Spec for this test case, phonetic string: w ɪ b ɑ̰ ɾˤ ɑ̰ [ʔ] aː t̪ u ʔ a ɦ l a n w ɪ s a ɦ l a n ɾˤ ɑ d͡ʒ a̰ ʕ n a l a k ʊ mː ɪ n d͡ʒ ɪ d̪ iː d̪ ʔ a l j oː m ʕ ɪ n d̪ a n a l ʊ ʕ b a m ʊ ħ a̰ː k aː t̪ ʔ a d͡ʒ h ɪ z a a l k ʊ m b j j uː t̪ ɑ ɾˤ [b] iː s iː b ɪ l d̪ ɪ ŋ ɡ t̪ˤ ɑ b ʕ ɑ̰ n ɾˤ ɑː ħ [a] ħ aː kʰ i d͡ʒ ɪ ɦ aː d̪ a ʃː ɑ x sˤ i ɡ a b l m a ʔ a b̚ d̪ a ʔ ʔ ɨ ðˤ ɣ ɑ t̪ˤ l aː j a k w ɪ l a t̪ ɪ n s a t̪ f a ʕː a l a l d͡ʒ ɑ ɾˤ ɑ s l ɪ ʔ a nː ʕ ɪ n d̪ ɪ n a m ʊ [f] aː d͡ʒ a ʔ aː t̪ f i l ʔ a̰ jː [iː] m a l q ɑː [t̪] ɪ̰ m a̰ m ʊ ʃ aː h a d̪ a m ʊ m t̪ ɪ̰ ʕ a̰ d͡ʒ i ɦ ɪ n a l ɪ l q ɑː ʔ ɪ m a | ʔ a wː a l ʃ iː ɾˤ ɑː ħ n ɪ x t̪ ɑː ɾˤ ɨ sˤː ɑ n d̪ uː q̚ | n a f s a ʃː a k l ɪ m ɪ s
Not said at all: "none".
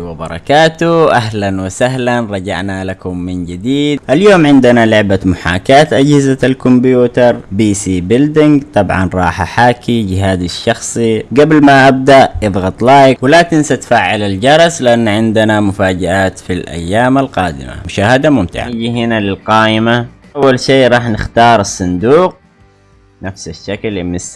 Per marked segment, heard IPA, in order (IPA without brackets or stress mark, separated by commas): k, b, a, f, aː, d̪